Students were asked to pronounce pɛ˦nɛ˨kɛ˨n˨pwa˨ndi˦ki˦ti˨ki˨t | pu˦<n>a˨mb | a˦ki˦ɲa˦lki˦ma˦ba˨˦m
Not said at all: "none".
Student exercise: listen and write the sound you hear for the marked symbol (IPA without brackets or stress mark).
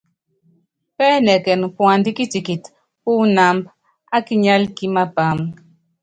n